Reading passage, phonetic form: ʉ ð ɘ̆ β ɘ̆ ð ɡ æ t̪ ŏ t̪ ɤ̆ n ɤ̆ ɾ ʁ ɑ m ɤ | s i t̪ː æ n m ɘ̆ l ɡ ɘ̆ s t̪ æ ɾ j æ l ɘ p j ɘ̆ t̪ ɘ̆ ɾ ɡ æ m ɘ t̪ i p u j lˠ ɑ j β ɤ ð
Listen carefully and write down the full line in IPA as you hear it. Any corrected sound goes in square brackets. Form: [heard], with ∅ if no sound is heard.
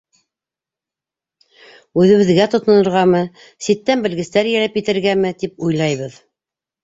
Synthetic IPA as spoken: ʉ ð ɘ̆ β ɘ̆ ð ɡ æ t̪ ŏ t̪ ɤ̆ n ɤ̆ ɾ ʁ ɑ m ɤ | s i t̪ː æ n [b] ɘ̆ l ɡ ɘ̆ s t̪ æ ɾ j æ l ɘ p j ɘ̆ t̪ ɘ̆ ɾ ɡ æ m ɘ t̪ i p u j lˠ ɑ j β ɤ ð